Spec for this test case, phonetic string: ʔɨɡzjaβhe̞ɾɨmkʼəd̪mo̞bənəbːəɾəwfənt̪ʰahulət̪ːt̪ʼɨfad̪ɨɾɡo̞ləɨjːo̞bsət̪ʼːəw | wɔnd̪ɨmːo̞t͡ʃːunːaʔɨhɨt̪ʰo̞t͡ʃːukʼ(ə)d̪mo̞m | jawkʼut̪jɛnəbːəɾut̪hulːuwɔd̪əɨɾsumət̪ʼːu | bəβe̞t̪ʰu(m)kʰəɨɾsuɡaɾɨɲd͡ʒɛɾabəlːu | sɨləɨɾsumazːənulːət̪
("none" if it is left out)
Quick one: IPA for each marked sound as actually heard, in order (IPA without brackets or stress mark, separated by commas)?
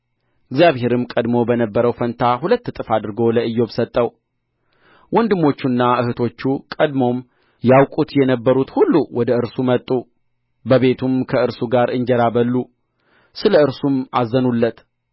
ə, m